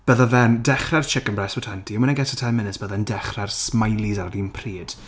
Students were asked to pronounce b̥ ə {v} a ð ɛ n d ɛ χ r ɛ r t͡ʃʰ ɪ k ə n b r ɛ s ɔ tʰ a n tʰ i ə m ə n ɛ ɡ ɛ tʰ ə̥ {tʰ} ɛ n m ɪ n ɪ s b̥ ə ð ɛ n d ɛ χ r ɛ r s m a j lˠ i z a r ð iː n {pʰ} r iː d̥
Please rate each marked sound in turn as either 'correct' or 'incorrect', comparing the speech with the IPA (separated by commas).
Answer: incorrect, correct, correct